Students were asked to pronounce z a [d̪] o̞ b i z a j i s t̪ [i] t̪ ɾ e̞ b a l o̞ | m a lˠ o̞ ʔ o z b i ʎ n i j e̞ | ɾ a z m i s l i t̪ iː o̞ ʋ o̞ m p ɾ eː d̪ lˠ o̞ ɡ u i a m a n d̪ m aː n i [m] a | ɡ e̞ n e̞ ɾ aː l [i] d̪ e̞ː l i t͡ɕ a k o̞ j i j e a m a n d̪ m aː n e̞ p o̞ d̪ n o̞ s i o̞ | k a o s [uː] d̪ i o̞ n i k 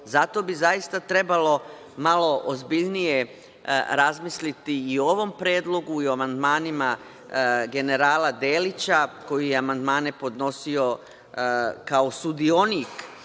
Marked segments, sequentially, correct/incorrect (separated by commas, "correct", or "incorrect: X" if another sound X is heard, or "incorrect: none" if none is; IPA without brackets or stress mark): incorrect: t̪, incorrect: a, correct, incorrect: a, incorrect: u